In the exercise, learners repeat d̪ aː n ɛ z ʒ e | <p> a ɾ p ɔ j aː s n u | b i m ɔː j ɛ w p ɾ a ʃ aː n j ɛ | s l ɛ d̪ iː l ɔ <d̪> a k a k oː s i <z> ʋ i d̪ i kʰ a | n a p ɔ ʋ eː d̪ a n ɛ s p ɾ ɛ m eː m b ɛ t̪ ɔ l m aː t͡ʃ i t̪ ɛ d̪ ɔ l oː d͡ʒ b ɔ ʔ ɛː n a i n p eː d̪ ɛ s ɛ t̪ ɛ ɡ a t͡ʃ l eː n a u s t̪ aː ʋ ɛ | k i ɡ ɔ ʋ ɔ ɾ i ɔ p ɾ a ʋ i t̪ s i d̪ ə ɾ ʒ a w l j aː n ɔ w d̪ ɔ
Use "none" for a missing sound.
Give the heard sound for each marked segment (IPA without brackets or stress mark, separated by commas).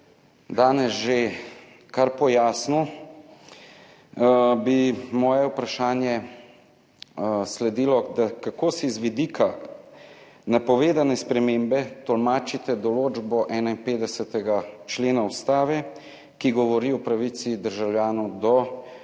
k, d̪, z